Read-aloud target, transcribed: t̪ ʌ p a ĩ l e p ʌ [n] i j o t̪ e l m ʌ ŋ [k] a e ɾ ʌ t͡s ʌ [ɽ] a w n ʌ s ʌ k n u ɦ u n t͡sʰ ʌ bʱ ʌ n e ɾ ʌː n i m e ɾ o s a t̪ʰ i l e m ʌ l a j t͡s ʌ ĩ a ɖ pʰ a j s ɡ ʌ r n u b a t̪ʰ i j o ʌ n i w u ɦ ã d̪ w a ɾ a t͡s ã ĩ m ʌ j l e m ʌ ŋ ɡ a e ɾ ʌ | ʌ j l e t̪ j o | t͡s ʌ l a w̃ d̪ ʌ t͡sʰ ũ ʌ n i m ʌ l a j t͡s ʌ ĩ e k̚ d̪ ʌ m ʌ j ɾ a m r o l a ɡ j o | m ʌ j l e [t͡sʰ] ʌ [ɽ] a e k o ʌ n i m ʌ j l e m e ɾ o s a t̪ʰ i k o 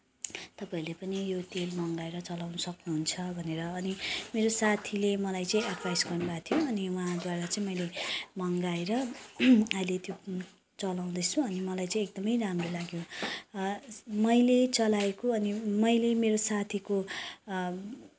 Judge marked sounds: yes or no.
yes, no, no, no, no

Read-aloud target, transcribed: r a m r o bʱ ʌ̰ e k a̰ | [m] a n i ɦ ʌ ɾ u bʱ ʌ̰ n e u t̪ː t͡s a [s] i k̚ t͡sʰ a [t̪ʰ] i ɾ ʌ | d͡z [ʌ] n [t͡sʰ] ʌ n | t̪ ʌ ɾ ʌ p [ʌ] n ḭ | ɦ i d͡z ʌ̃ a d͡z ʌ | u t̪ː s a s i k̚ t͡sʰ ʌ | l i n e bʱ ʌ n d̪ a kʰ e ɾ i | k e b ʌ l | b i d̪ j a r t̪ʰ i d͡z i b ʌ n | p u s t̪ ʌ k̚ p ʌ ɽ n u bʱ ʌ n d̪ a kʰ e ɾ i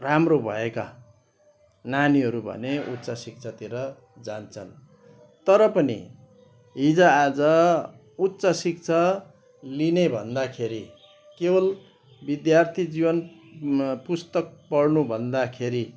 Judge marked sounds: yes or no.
no, yes, no, no, yes, yes

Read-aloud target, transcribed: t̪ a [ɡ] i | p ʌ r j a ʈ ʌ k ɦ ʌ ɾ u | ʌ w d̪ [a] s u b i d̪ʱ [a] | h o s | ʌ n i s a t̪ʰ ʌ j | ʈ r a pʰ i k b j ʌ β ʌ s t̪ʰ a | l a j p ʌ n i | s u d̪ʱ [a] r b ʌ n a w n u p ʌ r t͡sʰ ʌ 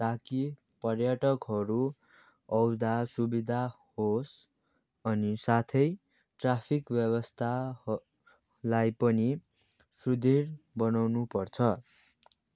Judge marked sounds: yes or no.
no, yes, yes, no

